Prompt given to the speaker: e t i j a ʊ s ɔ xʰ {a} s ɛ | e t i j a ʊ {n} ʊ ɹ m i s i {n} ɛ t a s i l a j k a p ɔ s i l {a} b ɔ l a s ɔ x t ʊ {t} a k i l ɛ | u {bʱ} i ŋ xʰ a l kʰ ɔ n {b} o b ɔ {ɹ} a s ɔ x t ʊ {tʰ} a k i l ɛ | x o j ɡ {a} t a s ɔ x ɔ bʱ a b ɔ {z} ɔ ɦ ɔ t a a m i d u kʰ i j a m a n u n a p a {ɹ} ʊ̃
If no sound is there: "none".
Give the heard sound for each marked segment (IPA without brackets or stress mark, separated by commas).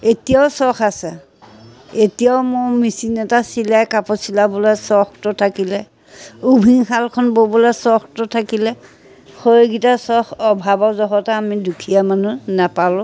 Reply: a, m, n, a, tʰ, bʱ, b, l, tʰ, i, z, l